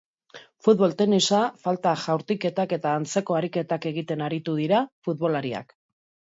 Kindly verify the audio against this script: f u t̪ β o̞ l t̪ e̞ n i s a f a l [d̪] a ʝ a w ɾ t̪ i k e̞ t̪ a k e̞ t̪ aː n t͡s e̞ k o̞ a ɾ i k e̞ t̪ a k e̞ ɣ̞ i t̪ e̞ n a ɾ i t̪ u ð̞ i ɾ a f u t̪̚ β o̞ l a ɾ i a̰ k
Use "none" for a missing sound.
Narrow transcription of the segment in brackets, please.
t̪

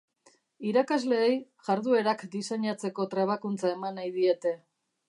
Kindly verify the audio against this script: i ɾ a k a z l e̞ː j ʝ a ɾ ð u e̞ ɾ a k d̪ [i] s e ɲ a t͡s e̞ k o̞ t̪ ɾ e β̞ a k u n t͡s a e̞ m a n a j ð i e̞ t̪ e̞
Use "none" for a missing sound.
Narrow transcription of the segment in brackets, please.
i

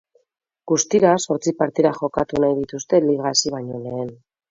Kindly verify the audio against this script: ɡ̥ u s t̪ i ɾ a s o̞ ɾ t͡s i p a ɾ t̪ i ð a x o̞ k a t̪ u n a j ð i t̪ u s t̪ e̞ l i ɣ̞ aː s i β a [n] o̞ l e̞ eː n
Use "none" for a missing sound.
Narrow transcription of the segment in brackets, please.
ɲ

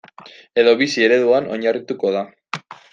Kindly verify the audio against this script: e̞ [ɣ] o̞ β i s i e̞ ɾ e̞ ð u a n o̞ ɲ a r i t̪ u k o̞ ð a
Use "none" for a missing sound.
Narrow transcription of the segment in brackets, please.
ð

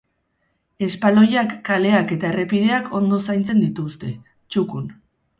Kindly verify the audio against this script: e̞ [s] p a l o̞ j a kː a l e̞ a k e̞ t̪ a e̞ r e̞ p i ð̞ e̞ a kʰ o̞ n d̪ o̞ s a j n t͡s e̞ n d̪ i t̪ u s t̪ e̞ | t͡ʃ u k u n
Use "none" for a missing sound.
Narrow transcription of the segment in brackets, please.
s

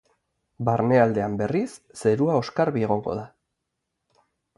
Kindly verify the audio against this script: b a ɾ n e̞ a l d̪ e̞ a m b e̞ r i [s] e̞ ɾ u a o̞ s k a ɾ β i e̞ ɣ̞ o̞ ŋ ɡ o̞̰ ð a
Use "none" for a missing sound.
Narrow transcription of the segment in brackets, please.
sː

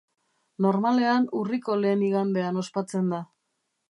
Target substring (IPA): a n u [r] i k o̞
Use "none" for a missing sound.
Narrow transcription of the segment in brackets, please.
r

